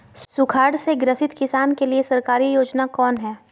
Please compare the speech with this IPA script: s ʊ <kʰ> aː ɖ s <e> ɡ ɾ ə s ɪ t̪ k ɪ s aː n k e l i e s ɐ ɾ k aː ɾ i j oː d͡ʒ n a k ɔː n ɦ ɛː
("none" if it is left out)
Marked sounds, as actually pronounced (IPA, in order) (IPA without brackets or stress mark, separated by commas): kʰ, e